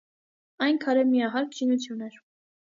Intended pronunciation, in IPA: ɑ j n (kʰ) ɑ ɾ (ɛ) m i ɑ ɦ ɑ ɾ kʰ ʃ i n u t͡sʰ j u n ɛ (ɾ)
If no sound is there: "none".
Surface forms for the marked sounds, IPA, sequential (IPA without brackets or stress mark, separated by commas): kʰ, ɛ, ɾ